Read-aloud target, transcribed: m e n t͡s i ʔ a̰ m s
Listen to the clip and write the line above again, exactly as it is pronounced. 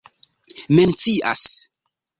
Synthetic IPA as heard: m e n t͡s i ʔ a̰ s

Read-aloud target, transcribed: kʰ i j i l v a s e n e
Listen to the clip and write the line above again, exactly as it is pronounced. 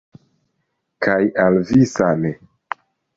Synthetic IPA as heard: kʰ a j a l v i s a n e

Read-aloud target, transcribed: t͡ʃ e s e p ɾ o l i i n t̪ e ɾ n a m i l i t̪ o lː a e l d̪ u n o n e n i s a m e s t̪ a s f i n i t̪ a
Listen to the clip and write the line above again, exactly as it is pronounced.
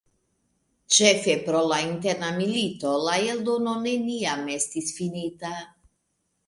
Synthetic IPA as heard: t͡ʃ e f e p ɾ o l a i n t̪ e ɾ n a m i l i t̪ o l a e l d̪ o n o n e n i a m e s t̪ i s f i n i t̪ a

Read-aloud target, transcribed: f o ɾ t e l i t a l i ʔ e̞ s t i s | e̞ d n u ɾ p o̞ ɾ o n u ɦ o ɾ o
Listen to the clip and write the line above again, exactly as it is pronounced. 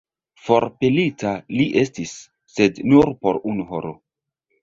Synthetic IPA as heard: f o ɾ p e l i t a l i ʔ e̞ s t i sː | e̞ d n u ɾ p o̞ ɾ u n u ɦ o ɾ o

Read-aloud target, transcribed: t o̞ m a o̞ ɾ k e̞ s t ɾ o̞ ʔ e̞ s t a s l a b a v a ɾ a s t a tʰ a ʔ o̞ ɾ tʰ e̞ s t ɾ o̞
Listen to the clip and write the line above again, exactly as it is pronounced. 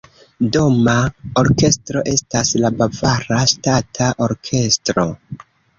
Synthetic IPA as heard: d o̞ m a o̞ ɾ k e̞ s t ɾ o̞ ʔ e̞ s t a s l a b a v a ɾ a s t a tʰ a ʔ o̞ ɾ kʰ e̞ s t ɾ o̞

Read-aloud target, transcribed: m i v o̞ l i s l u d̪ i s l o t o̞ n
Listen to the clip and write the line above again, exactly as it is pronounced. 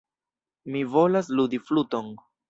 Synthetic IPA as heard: m i v o̞ l a s l u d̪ i f l u t o̞ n

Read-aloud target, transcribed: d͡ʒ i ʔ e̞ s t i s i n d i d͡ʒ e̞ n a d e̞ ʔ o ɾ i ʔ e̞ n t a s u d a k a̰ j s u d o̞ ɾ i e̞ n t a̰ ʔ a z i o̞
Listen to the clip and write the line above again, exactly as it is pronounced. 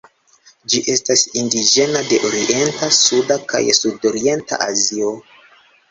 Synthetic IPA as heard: d͡ʒ i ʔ e̞ s t a s i n d i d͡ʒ e̞ n a d e̞ ʔ o ɾ i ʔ e̞ n t a s u d a k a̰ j s u d o̞ ɾ i e̞ n t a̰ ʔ a z i o̞

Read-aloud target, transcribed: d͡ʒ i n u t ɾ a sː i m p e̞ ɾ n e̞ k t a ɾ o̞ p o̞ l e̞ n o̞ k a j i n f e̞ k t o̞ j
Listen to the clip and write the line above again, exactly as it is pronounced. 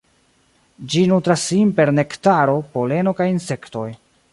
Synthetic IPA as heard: d͡ʒ i n u t ɾ a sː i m p e̞ ɾ n e̞ k t a ɾ o̞ p o̞ l e̞ n o̞ k a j i n s e̞ k t o̞ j

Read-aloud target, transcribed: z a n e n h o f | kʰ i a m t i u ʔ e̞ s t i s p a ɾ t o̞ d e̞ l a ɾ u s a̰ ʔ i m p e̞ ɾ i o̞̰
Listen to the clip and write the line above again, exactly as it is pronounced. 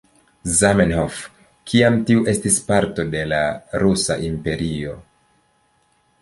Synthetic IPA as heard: z a m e n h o f | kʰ i a m t i u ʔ e̞ s t i s p a ɾ t o̞ d e̞ l a ɾ u s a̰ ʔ i m p e̞ ɾ i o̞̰

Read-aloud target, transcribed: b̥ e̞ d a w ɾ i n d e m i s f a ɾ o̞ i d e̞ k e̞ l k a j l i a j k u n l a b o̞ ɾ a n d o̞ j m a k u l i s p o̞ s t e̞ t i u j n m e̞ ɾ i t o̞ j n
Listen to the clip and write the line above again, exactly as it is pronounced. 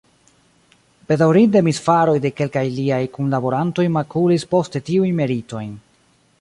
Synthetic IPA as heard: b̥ e̞ d a w ɾ i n d e m i s f a ɾ o̞ j d e̞ k e̞ l k a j l i a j k u n l a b o̞ ɾ a n t o̞ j m a k u l i s p o̞ s t e̞ t i u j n m e̞ ɾ i t o̞ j n

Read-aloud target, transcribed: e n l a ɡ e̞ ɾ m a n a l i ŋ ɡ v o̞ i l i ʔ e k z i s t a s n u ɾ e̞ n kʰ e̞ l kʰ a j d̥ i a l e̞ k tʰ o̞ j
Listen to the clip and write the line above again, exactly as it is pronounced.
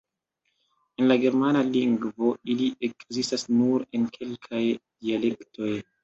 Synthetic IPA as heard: e n l a ɡ e̞ ɾ m a n a l i ŋ ɡ v o̞ i l i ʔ e k z i s t a s n u ɾ e̞ n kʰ e̞ l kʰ a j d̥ i a l e̞ k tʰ o̞ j

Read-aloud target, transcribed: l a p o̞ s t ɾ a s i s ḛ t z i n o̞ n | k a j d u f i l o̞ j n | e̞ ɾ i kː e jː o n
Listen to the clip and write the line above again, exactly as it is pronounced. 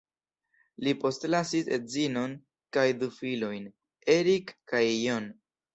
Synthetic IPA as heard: l i p o̞ s t l a s i s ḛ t z i n o̞ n | k a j d u f i l o̞ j n | e̞ ɾ i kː a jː o n

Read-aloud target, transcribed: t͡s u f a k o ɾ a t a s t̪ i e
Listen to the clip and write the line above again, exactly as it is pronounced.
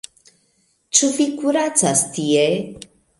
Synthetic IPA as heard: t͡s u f i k u ɾ a t͡s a s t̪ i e

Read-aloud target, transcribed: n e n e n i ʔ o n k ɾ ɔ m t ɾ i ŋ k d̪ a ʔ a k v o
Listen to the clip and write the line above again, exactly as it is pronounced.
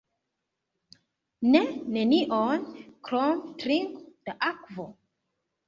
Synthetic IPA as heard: n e n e n i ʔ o n k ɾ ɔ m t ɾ i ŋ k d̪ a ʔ a k v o

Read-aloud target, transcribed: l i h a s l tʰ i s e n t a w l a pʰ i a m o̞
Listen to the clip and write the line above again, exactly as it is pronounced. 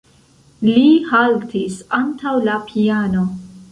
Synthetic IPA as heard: l i h a l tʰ i s a n t a w l a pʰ i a n o̞

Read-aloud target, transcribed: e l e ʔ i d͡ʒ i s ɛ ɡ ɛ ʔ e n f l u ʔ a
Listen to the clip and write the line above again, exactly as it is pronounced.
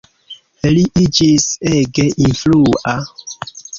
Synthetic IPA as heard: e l i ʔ i d͡ʒ i s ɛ ɡ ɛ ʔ i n f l u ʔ a

